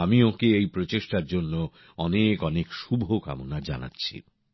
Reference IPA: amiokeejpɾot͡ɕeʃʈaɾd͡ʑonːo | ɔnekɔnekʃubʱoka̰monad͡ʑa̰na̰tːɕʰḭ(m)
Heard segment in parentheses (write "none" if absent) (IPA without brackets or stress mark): none